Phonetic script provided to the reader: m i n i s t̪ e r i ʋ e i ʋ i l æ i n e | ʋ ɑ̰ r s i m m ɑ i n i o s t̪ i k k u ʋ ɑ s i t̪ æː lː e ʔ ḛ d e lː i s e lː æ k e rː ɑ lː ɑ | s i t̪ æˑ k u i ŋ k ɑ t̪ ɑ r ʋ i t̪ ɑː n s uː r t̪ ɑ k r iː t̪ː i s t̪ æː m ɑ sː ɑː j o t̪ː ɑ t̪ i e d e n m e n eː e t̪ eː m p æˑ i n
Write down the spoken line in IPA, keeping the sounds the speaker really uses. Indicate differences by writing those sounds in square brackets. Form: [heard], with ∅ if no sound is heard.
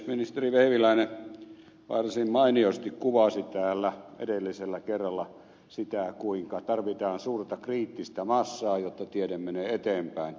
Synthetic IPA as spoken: m i n i s t̪ e r i ʋ e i ʋ i l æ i n e | ʋ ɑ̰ r s i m m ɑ i n i o s t̪ i k k u ʋ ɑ s i t̪ æː lː [æ] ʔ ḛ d e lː i s e lː æ k e rː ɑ lː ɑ | s i t̪ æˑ k u i ŋ k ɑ t̪ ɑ r ʋ i t̪ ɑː n s uː r t̪ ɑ k r iː t̪ː i s t̪ [æ] m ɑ sː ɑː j o t̪ː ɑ t̪ i e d e [m] m e n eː e t̪ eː m p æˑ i n